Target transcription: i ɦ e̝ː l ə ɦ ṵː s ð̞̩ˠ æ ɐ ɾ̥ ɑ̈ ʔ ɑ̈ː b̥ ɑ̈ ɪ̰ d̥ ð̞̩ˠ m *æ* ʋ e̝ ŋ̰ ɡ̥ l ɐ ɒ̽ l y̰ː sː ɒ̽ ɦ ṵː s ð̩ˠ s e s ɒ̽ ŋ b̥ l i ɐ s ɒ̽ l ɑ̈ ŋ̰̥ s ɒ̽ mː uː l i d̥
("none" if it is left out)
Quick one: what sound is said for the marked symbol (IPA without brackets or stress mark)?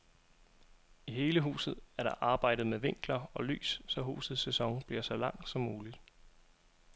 e